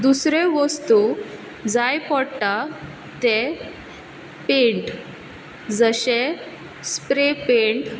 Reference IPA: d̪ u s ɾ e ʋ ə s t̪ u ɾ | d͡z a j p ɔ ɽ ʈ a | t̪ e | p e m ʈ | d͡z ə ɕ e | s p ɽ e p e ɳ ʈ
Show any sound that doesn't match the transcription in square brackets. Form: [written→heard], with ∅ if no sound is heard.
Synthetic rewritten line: d̪ u s ɾ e ʋ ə s t̪ u [ɾ→∅] | d͡z a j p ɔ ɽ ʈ a | t̪ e | p e [m→ɳ] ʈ | d͡z ə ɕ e | s p [ɽ→ɾ] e p e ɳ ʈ